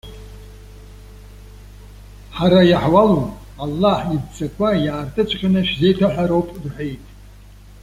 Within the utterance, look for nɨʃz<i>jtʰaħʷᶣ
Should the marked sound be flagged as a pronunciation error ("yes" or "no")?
yes